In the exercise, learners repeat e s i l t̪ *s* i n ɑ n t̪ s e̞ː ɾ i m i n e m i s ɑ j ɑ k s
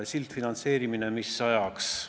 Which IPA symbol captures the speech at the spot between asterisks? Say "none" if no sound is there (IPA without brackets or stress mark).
f